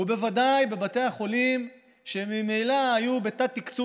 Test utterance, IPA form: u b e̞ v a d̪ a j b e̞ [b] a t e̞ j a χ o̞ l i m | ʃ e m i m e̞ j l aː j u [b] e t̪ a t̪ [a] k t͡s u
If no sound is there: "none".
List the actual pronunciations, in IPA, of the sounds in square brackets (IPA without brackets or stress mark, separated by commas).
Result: b, b, i